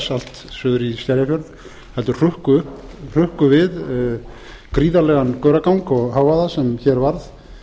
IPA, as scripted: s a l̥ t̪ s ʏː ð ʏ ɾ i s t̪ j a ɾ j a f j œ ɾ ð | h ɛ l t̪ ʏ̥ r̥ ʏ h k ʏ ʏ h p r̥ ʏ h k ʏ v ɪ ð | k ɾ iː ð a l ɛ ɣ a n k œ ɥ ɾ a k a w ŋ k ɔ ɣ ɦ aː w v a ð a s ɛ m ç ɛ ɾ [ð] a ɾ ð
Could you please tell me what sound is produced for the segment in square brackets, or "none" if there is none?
v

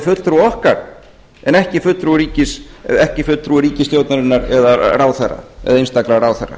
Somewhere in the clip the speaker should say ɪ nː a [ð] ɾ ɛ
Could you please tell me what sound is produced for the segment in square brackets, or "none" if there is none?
none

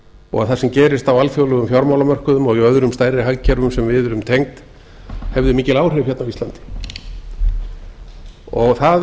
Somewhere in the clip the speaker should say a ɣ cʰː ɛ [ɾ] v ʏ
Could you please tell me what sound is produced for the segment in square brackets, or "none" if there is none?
ɾ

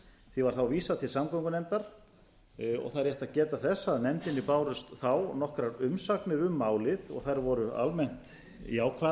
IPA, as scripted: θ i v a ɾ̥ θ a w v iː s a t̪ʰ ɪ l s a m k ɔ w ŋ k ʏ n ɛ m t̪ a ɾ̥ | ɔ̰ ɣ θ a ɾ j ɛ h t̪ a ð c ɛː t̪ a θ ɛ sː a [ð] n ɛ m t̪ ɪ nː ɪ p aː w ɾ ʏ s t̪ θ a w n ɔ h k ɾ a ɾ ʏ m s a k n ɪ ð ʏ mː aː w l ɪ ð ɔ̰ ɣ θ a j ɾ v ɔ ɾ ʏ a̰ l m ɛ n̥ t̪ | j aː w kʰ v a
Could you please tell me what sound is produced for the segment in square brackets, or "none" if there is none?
ð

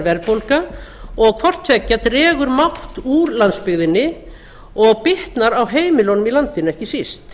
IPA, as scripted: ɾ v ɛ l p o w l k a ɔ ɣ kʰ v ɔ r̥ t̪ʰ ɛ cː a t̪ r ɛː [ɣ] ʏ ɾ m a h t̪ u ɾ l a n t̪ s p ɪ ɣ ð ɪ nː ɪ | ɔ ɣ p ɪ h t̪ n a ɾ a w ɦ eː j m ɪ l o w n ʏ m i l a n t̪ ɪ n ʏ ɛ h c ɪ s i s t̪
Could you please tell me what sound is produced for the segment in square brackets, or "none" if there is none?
ɣ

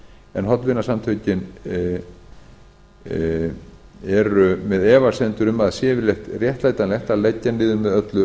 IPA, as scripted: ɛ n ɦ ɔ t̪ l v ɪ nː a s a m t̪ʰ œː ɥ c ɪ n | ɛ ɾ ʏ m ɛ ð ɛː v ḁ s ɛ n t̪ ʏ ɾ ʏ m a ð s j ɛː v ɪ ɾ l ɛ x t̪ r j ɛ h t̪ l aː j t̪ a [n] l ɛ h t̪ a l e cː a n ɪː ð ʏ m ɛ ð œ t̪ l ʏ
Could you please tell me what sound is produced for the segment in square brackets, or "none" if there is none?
n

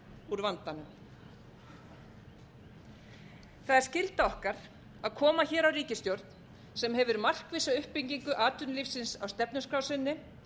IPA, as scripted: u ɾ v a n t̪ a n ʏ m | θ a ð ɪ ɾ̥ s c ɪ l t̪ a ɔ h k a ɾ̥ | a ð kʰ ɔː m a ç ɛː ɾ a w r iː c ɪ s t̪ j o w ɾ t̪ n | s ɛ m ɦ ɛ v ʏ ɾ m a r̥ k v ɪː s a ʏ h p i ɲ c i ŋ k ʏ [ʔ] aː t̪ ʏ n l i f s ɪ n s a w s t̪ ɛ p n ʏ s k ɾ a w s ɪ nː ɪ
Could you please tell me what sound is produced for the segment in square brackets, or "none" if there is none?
ʔ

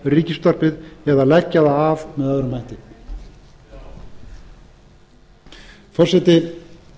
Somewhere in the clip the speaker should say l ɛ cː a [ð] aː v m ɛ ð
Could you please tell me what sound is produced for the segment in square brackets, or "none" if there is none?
ð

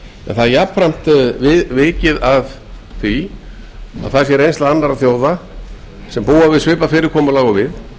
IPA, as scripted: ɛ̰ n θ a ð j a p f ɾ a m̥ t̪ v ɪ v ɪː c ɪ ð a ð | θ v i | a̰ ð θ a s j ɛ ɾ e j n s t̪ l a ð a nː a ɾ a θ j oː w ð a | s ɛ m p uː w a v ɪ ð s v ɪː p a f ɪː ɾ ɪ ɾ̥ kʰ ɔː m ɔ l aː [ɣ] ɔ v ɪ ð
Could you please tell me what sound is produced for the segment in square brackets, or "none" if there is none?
ɣ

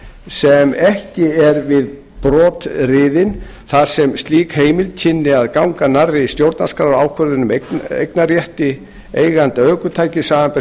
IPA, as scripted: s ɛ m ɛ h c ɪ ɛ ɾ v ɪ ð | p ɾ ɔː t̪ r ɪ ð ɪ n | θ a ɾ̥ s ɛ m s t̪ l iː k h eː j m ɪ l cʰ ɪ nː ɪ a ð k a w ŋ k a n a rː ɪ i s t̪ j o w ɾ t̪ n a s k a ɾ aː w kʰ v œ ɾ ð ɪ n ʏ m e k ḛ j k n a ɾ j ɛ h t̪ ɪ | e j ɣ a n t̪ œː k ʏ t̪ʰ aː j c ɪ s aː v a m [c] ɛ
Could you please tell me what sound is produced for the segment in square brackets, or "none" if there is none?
p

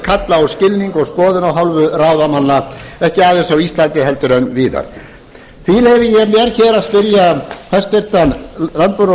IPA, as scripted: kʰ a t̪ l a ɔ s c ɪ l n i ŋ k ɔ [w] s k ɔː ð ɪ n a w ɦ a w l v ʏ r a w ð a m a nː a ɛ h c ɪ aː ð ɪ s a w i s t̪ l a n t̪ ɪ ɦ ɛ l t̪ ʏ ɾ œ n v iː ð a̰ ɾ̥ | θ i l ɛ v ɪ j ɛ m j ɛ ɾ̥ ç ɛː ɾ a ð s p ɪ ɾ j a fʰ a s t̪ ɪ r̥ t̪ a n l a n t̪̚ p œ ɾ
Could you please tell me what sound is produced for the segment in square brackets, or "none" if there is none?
ɣ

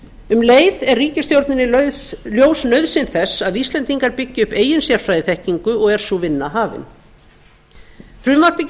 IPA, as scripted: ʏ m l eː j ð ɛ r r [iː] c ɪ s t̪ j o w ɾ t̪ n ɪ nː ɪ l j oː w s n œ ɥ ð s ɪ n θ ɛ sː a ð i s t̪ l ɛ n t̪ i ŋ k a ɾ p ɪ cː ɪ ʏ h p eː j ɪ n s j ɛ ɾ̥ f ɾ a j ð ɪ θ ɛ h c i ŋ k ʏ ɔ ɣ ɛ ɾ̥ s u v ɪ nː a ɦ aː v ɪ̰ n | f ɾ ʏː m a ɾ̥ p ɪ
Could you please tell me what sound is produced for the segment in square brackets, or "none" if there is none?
iː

